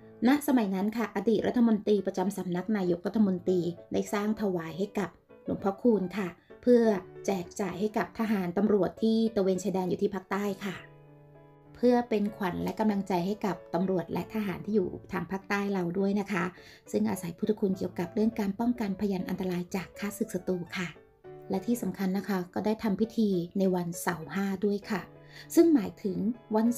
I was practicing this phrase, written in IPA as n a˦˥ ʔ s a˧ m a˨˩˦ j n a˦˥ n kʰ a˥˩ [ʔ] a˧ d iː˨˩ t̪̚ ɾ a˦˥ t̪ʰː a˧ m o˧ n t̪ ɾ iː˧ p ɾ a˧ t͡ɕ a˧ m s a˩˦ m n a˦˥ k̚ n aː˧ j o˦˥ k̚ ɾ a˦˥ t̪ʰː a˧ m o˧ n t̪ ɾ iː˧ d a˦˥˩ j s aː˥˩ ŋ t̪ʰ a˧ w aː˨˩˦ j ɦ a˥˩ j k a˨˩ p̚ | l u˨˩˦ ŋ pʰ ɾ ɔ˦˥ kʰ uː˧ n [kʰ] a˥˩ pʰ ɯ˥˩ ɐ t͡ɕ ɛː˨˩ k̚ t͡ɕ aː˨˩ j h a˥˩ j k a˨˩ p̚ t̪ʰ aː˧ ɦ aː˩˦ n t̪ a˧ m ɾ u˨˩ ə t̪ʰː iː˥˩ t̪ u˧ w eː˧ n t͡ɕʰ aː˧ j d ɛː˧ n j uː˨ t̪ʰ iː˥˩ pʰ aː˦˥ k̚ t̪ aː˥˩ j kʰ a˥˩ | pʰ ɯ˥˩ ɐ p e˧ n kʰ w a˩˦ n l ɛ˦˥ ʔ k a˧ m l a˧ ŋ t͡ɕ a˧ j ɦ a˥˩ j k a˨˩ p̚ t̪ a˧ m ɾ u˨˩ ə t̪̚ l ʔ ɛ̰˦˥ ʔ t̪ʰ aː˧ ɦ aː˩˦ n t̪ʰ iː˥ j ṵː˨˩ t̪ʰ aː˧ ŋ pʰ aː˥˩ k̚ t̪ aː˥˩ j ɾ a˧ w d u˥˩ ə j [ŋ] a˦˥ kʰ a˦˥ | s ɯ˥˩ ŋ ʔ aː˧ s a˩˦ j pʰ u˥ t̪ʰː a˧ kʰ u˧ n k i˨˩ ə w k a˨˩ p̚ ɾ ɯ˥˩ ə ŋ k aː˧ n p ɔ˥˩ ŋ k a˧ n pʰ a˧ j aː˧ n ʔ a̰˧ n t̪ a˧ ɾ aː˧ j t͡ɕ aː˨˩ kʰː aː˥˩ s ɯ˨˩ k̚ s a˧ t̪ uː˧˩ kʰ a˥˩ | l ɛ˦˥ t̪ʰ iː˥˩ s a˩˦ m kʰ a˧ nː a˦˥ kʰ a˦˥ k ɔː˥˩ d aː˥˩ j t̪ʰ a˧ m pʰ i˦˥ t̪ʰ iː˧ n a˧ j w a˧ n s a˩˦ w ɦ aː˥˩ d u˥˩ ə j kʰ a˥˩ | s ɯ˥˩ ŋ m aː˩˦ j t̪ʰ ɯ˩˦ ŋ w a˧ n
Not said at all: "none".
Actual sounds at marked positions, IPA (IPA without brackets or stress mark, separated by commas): ʔ, kʰ, n